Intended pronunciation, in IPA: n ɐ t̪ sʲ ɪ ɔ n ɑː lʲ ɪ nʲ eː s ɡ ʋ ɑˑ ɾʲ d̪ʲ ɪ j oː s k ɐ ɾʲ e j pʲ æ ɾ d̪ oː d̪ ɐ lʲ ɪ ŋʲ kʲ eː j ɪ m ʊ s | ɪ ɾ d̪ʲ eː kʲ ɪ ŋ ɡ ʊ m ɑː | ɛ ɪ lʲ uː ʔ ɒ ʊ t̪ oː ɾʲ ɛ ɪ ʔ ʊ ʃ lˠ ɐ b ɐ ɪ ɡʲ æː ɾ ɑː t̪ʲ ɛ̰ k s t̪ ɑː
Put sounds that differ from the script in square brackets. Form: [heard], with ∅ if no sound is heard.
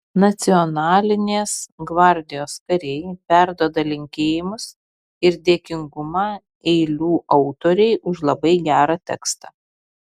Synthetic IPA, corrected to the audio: n ɐ t̪ sʲ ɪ ɔ n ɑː lʲ ɪ nʲ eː s ɡ ʋ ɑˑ ɾʲ d̪ʲ ɪ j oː s k ɐ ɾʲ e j pʲ æ ɾ d̪ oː d̪ ɐ lʲ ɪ ŋʲ kʲ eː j ɪ m ʊ s | ɪ ɾ d̪ʲ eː kʲ ɪ ŋ ɡ ʊ m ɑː | ɛ ɪ lʲ uː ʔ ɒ ʊ t̪ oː ɾʲ ɛ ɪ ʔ ʊ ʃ lˠ ɐ b ɐ ɪ ɡʲ æː ɾ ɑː t̪ʲ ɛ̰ k s t̪ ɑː